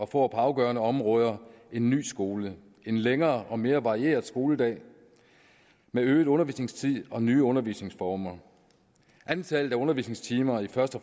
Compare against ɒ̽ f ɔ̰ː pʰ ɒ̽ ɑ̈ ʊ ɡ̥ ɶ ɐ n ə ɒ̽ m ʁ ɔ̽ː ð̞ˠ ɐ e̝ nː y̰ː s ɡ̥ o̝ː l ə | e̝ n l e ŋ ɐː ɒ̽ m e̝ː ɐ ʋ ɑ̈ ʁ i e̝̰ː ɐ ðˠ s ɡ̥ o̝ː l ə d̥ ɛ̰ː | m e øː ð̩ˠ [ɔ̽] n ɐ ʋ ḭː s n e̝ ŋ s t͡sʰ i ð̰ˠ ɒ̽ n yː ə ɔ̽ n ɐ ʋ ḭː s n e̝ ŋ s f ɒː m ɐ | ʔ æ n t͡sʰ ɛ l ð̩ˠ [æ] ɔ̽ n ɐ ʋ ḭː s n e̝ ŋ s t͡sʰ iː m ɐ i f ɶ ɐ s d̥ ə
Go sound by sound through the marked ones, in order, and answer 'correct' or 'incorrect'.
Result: correct, correct

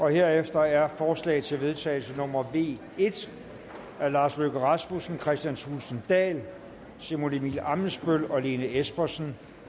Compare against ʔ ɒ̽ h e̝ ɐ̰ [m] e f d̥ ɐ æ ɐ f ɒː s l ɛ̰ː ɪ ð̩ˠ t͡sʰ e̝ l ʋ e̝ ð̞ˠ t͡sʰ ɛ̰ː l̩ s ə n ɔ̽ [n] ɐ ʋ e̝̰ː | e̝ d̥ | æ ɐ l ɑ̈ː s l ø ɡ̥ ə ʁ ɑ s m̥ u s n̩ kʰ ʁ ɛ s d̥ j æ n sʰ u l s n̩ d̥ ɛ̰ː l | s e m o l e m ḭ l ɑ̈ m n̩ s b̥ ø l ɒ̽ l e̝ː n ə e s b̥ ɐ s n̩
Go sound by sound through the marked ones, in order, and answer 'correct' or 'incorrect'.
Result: incorrect: none, incorrect: m

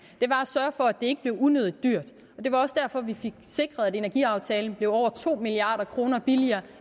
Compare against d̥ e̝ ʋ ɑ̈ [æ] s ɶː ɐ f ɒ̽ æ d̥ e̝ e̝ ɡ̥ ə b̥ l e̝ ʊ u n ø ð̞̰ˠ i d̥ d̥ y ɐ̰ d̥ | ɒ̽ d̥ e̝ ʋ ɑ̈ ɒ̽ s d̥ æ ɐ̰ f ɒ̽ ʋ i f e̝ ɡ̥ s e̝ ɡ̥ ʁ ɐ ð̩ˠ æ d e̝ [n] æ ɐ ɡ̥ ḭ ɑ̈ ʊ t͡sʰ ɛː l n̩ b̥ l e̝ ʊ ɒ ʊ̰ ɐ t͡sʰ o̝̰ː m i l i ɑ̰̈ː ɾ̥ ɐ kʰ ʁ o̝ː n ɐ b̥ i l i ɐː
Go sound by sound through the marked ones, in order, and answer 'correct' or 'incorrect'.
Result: correct, correct

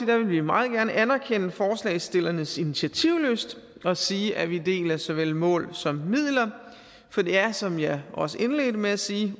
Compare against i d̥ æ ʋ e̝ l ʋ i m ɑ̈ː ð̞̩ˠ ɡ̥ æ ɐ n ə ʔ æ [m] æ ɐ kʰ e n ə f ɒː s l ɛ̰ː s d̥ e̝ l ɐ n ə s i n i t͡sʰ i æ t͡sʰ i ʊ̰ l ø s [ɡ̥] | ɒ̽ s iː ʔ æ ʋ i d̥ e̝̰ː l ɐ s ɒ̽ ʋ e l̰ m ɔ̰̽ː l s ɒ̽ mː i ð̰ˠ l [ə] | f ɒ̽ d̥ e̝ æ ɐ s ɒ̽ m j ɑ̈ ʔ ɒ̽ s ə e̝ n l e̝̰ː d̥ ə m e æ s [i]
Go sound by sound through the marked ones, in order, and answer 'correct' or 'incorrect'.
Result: incorrect: n, incorrect: d̥, incorrect: ɐ, incorrect: iː

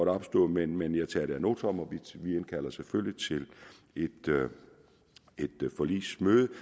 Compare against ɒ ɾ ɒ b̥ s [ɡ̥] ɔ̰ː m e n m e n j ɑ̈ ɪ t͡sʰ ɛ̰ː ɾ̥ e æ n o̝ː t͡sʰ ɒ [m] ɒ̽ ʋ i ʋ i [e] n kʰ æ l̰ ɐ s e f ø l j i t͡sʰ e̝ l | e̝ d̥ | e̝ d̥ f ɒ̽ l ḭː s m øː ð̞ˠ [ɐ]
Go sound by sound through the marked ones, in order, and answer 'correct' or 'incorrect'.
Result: incorrect: d̥, correct, correct, incorrect: ə

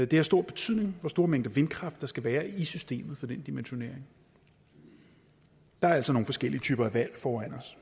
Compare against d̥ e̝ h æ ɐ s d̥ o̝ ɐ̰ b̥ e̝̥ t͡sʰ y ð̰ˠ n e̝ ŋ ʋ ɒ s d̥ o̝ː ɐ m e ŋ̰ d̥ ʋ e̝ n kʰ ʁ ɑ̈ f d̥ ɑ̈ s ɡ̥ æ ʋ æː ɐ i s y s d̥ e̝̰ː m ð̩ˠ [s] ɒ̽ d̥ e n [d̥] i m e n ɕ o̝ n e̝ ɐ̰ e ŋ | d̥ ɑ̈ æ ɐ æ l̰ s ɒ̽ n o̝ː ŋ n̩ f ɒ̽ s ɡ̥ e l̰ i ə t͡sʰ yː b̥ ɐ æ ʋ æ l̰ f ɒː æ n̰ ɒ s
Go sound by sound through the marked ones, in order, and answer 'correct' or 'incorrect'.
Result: incorrect: f, correct

